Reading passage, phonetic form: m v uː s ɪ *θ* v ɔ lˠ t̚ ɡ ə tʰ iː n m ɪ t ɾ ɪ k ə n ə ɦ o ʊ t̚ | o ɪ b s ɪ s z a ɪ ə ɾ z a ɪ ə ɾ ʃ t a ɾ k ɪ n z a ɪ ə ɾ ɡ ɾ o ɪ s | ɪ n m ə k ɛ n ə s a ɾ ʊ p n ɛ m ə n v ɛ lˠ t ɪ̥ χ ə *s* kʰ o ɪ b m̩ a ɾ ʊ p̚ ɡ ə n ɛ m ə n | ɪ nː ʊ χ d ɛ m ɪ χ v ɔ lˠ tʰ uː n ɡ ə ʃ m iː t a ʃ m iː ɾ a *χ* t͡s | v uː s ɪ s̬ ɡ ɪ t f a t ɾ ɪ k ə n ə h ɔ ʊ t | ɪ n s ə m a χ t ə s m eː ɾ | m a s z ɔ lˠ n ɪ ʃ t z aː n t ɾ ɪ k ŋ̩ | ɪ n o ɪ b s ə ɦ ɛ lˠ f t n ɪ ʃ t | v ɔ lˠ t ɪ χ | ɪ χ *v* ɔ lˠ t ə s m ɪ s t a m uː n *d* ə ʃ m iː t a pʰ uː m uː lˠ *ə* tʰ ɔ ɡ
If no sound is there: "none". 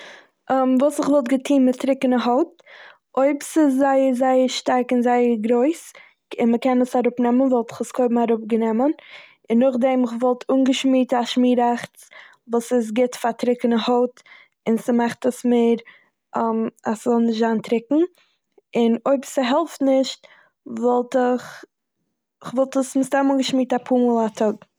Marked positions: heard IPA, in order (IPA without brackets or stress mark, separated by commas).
χ, s, χ, v, ɡ, a